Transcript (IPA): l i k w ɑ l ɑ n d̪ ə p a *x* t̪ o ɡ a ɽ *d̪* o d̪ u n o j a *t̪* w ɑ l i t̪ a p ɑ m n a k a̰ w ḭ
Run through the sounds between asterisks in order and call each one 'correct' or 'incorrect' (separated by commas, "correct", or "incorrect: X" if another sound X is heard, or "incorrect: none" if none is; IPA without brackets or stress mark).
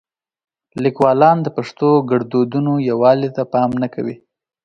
incorrect: ʂ, correct, incorrect: none